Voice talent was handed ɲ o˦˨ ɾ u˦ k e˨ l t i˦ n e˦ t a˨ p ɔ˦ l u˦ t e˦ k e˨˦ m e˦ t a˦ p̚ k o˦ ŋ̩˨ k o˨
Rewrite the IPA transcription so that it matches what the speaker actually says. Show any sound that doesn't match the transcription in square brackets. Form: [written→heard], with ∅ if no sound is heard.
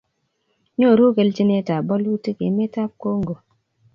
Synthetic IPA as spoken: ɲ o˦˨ ɾ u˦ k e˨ l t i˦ n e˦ t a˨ [p→b] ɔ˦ l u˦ t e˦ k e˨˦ m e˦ t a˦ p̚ k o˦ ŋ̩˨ [k→ɡ] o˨